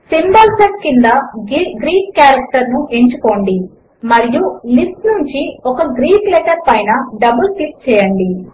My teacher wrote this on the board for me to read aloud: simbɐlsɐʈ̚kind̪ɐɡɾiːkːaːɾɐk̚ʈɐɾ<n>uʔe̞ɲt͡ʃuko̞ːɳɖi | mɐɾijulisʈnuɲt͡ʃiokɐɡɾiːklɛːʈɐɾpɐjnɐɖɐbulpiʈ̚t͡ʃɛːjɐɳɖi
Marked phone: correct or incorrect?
correct